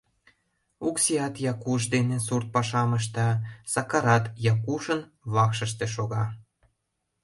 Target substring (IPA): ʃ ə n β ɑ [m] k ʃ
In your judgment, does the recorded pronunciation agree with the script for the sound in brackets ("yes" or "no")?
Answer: no